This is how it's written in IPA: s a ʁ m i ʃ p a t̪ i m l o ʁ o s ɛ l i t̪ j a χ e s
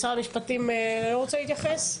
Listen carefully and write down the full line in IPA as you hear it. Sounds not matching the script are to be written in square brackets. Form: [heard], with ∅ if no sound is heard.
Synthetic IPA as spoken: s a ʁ m i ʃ p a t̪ i m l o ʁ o [t͡s] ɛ l i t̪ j a χ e s